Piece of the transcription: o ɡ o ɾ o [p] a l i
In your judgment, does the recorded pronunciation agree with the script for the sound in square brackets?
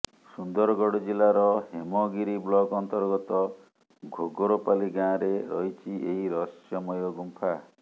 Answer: yes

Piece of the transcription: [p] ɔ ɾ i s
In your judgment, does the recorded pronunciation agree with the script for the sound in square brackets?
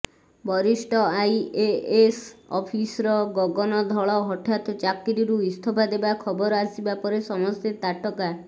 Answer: no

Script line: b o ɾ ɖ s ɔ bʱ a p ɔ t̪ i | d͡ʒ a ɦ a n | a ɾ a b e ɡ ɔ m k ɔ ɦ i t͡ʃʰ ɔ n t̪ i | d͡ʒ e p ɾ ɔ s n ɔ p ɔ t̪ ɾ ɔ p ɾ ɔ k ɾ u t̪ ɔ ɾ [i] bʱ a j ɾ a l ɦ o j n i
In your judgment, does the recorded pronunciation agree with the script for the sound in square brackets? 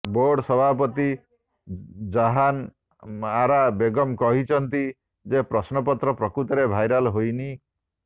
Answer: no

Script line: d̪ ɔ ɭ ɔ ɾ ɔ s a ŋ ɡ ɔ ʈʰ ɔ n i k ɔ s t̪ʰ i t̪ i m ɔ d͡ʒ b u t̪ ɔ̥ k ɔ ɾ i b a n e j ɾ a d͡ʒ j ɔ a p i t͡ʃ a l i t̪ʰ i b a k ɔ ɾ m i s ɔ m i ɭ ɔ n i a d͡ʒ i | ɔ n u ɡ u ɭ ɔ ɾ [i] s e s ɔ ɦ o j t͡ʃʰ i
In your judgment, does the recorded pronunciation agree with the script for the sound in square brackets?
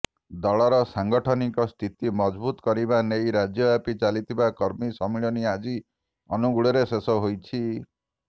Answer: no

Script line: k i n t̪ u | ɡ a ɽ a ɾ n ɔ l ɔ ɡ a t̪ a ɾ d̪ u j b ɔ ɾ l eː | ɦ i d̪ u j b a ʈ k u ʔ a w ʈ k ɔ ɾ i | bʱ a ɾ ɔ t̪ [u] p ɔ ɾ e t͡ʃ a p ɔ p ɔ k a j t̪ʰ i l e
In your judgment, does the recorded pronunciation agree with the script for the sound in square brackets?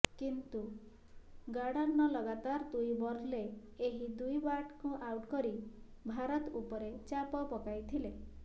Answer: yes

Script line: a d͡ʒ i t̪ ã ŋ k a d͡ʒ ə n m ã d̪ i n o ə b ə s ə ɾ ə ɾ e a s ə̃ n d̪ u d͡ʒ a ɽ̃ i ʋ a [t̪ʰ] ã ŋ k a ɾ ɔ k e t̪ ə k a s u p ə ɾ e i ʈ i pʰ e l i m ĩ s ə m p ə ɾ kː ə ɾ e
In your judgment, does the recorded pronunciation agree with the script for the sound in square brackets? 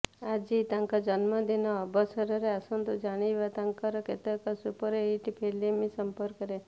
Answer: no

